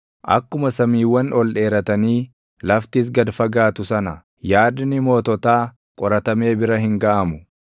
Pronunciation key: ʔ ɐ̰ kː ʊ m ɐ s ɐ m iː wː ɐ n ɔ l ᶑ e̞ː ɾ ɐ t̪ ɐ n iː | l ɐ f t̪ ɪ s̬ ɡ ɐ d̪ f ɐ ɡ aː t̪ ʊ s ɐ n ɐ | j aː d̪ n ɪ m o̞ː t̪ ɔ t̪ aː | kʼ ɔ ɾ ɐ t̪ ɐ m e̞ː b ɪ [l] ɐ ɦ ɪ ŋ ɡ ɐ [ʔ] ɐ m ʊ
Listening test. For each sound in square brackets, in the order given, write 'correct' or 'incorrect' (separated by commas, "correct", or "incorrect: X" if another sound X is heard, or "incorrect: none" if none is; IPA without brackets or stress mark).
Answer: incorrect: ɾ, correct